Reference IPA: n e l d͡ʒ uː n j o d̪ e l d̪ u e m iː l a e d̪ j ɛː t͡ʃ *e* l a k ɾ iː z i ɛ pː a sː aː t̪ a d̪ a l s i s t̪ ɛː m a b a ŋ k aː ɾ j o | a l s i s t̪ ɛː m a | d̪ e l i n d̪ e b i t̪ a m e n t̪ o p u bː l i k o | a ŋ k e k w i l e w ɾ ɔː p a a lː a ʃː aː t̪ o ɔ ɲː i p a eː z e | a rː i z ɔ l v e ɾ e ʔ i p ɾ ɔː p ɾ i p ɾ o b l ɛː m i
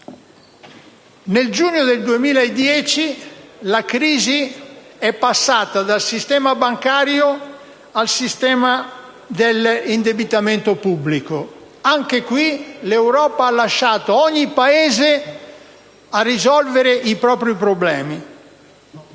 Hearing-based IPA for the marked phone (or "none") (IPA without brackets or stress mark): i